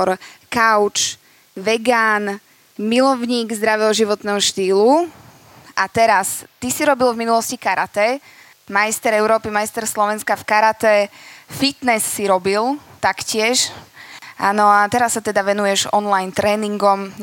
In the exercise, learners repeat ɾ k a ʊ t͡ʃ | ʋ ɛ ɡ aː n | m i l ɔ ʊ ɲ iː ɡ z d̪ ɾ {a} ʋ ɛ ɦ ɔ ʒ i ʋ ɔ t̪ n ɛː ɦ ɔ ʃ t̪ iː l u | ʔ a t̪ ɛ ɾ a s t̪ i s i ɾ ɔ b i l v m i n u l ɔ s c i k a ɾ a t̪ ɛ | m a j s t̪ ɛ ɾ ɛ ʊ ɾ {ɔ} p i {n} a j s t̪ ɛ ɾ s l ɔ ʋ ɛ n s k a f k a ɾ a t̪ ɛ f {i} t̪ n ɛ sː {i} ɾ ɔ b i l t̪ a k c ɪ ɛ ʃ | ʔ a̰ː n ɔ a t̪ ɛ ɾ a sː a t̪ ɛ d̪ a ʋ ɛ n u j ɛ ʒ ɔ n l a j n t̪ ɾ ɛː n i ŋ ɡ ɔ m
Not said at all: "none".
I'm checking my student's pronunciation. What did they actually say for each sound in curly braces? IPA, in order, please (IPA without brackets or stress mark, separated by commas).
a, ɔː, m, i, i